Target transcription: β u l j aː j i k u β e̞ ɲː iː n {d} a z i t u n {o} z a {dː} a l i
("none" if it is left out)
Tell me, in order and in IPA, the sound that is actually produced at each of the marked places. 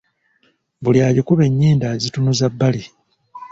d, u, bː

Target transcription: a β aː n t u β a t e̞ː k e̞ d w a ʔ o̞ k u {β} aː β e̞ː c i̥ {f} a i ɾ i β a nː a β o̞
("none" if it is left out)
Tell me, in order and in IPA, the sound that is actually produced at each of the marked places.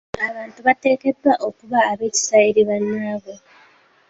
β, s

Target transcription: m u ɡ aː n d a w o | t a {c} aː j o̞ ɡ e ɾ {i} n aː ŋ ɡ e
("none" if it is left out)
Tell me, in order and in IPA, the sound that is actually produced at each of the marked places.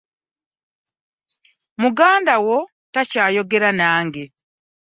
c, a

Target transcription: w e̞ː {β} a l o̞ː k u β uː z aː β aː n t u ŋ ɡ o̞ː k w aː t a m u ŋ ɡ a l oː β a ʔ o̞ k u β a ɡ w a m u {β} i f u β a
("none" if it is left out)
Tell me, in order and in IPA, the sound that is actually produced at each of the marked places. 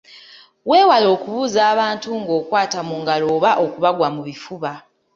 w, β

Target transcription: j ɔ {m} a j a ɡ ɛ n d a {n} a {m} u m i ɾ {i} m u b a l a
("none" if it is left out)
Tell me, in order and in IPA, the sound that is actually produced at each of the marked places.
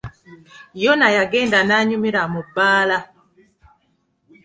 n, n, ɲ, a

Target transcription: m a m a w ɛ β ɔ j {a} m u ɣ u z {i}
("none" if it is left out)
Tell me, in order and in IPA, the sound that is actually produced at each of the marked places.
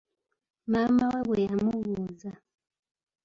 a, a

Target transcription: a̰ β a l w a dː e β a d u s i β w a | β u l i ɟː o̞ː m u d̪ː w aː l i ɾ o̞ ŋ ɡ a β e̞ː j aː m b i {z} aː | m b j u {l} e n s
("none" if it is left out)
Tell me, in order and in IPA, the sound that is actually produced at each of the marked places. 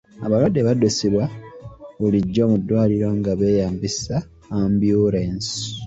s, ɾ

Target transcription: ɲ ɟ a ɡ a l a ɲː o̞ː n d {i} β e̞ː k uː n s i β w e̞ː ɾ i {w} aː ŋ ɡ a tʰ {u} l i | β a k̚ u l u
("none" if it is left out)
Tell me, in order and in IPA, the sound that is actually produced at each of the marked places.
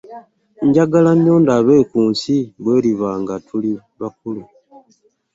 a, β, u

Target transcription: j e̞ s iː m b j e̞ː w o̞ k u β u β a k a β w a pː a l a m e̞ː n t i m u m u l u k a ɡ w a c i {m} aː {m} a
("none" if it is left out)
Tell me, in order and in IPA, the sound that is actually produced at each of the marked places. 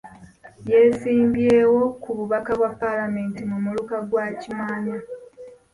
m, ɲ

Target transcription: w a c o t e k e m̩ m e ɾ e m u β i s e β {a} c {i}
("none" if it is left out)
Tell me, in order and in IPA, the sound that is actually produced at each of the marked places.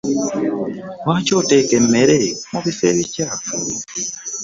i, a

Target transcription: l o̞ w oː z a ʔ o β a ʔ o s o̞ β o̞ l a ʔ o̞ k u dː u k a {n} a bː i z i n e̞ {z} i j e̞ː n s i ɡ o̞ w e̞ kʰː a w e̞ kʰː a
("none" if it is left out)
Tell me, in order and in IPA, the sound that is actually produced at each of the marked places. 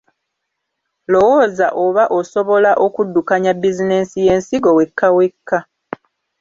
ɲ, s

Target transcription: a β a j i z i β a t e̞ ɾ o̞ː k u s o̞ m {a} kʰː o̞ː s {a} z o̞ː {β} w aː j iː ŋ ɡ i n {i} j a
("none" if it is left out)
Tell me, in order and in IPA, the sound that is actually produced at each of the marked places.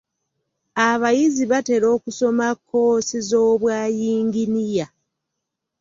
a, i, β, i

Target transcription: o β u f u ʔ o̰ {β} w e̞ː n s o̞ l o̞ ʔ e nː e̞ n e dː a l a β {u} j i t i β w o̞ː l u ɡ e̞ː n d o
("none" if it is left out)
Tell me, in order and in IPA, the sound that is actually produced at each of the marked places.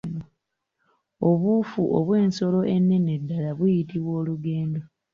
β, u

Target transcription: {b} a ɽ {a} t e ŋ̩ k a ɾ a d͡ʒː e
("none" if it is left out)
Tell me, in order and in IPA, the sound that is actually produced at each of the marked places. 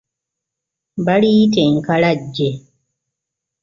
b, i

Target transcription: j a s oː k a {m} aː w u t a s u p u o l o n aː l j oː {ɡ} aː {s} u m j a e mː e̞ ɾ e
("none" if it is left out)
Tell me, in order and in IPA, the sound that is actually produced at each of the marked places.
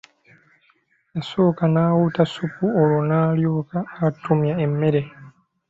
n, k, t

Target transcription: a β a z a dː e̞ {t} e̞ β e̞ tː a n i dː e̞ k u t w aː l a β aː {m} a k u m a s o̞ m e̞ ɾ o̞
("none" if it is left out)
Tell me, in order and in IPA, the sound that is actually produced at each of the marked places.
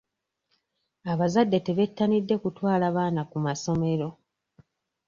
t, n

